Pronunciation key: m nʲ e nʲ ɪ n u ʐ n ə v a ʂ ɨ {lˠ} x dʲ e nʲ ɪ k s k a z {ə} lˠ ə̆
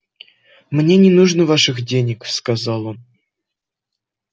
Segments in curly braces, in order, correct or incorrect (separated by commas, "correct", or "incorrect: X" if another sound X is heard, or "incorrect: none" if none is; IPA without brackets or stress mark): incorrect: none, incorrect: ɑ